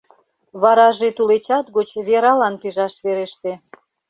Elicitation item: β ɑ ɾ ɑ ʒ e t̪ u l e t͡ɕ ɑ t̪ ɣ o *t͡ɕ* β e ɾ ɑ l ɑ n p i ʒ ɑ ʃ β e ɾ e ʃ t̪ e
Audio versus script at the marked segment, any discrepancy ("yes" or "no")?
no